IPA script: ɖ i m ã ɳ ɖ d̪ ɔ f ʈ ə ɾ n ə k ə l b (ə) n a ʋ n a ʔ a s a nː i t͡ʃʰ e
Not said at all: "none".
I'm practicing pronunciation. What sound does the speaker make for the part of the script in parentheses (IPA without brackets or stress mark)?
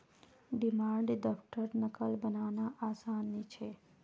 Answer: ə